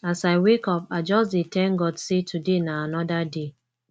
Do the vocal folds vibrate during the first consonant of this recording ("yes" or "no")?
no